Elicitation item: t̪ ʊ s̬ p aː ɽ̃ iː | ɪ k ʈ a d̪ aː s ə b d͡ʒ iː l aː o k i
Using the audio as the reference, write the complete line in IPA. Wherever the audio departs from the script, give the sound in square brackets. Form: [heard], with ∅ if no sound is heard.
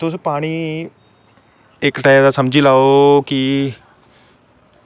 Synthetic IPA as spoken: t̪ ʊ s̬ p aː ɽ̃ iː | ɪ k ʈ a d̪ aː s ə [m] d͡ʒ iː l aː o k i